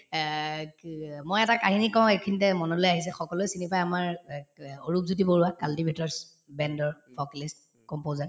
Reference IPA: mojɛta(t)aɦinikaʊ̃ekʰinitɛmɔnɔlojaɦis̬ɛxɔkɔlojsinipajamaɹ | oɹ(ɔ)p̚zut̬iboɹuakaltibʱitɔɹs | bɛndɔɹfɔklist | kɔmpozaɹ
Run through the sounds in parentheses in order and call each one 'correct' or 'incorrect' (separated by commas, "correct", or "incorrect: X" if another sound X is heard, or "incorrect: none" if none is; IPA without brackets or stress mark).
incorrect: k, incorrect: u